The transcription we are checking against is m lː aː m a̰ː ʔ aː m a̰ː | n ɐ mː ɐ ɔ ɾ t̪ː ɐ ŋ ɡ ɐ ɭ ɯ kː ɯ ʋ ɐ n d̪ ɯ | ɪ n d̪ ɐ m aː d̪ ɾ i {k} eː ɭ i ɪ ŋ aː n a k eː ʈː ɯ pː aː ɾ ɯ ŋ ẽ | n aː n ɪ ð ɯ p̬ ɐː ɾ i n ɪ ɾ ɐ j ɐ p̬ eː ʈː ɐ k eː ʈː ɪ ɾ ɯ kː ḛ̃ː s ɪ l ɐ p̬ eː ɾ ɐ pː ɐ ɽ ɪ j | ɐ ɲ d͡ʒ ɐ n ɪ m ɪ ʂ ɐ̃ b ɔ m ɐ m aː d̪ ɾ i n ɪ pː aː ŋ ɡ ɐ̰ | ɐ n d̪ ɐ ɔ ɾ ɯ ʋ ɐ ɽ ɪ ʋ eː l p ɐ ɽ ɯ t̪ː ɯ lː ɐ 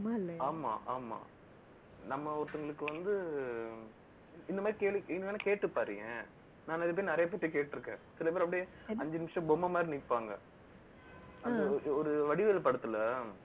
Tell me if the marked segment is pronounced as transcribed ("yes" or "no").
yes